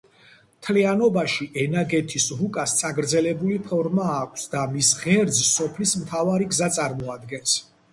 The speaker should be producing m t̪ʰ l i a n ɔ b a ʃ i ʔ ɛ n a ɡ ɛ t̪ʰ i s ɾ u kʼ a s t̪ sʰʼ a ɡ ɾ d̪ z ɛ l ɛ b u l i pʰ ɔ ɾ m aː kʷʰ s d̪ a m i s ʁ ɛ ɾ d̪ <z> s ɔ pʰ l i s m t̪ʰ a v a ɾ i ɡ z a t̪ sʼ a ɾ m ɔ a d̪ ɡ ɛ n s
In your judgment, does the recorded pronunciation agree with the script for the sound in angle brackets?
yes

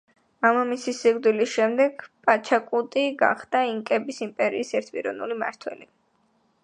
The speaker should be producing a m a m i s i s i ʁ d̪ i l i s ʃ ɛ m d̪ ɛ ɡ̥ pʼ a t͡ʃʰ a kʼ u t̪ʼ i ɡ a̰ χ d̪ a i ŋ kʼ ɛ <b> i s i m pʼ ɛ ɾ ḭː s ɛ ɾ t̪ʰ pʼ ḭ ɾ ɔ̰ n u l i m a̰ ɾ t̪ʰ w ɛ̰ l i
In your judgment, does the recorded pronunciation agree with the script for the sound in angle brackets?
yes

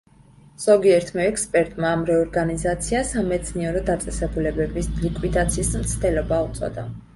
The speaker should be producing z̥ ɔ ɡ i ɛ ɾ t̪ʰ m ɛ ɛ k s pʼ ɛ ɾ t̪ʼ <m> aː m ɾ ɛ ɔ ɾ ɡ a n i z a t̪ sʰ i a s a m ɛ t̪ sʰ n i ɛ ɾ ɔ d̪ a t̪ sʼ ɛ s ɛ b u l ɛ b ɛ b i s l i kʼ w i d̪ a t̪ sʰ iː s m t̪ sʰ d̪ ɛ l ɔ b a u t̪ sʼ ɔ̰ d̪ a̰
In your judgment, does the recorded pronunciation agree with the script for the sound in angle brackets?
yes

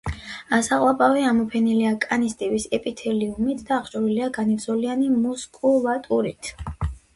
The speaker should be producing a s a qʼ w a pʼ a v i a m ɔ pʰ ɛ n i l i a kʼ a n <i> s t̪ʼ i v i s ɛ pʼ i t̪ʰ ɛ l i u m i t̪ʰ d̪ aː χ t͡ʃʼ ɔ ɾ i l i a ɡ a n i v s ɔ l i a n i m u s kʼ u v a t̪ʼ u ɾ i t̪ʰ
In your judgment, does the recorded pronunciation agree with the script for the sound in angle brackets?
yes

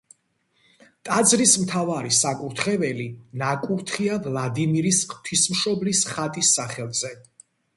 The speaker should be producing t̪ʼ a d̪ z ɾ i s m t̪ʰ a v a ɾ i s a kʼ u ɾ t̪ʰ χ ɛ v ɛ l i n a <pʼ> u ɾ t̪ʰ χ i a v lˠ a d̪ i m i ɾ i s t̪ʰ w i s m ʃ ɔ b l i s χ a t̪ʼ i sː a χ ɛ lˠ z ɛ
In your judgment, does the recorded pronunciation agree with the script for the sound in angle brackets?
no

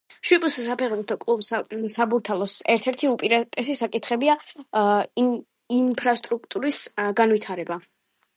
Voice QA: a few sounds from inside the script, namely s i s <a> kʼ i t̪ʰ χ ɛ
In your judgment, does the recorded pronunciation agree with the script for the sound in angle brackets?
yes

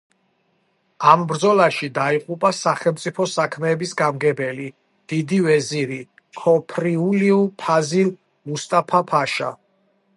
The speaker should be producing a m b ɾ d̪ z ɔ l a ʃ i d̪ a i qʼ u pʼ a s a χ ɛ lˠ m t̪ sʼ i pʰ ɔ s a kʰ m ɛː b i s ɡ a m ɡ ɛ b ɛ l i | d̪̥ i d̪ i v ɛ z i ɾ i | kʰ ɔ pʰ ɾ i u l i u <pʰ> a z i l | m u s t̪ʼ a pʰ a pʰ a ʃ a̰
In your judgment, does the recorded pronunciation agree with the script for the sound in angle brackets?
yes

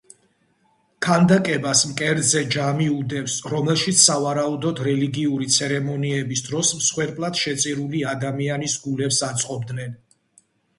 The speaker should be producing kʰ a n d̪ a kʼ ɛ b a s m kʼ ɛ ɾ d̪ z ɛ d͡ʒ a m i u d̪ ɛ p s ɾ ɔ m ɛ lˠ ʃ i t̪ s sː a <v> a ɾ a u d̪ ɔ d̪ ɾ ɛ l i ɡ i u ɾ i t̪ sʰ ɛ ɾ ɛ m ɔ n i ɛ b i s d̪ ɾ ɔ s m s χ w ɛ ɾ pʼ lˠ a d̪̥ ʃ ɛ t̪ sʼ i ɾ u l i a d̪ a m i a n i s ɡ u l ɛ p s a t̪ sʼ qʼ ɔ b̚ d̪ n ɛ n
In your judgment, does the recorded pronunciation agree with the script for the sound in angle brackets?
yes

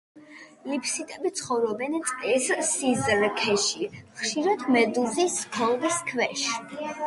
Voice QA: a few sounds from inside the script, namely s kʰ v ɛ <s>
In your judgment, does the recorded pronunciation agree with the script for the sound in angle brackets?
no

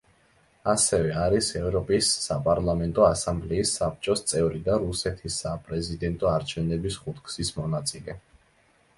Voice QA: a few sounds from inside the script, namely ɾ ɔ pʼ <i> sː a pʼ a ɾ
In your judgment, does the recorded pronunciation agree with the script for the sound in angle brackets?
yes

